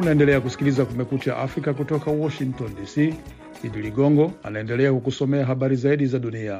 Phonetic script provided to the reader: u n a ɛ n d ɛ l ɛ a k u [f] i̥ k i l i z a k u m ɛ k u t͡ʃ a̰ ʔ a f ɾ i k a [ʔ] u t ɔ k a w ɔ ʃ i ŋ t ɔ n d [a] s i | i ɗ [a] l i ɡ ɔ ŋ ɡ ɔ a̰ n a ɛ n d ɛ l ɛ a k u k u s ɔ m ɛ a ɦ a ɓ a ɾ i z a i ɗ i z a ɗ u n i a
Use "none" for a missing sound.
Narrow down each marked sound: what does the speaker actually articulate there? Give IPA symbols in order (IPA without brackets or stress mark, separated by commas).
s, k, i, i